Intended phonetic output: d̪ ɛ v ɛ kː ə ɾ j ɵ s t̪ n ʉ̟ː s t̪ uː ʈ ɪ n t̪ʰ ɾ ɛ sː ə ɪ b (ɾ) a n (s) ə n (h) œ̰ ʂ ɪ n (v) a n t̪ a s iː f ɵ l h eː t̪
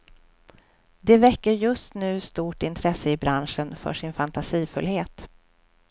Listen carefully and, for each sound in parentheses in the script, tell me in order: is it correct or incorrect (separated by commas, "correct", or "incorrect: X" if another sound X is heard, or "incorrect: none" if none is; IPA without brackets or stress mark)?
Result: correct, incorrect: ʂ, incorrect: f, incorrect: f